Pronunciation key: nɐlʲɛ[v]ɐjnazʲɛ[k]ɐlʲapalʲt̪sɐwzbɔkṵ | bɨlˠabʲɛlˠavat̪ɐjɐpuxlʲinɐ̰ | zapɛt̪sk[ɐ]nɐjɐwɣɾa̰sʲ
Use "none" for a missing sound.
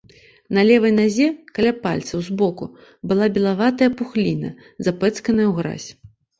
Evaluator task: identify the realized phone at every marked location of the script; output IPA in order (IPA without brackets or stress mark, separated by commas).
v, k, ɐ